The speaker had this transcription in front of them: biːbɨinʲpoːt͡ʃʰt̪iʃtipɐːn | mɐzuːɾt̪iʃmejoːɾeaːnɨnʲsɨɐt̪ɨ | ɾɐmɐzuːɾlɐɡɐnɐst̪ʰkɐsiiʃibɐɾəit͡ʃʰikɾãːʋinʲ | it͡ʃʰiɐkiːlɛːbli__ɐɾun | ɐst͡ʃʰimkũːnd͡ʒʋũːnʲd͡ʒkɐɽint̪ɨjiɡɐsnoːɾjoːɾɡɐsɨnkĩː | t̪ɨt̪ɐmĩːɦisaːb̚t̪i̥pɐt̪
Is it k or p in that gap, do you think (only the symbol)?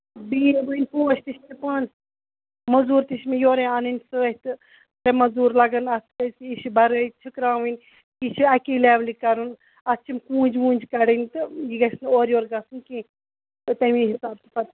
k